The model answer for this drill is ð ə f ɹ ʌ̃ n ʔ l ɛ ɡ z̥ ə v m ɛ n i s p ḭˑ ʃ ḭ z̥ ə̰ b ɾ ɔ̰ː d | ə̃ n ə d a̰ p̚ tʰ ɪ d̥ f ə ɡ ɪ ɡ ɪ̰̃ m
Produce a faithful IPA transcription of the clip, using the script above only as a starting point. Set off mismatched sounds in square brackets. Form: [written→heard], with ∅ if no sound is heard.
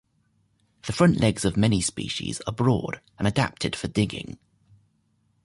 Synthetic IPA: ð ə f ɹ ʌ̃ n ʔ l ɛ ɡ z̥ ə v m ɛ n i s p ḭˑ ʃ ḭ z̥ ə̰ b [ɾ→ɹ] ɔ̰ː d | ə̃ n ə d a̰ p̚ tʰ ɪ d̥ f ə [ɡ→d] ɪ ɡ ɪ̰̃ [m→ŋ]